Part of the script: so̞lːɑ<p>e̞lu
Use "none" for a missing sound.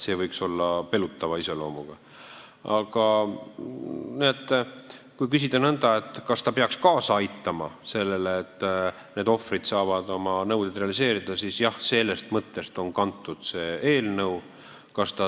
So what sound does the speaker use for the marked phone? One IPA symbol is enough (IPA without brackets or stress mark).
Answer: p